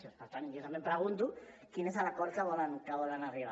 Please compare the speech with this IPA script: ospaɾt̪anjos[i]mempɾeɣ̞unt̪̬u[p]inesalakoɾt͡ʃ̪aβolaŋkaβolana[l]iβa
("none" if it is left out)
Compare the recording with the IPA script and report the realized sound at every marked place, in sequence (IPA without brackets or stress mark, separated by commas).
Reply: a, k, r